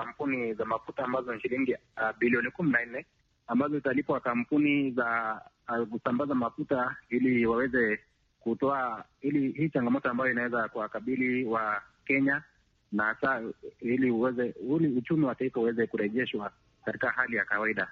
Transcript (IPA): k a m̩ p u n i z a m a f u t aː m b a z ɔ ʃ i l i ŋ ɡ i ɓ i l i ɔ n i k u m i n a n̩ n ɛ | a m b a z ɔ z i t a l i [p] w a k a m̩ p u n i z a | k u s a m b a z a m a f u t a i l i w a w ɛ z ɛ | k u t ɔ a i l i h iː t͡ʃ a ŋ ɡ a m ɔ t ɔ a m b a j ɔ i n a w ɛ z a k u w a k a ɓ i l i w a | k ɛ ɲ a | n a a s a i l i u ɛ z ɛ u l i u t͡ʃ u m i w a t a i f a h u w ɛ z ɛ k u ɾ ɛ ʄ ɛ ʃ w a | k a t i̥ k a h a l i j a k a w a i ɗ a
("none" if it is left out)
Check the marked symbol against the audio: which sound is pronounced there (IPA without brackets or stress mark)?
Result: p